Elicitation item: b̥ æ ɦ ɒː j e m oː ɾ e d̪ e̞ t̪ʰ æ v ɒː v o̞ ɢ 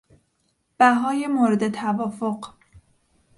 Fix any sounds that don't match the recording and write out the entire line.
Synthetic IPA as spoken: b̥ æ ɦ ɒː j e m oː ɾ e d̪ e̞ t̪ʰ æ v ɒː f o̞ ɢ